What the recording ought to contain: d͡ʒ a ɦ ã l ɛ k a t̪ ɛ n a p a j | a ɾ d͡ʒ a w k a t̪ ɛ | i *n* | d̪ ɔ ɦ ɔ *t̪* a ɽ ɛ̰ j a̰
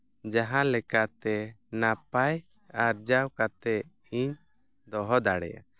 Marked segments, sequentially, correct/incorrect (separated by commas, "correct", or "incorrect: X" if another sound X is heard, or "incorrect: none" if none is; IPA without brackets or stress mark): incorrect: ɲ, incorrect: d̪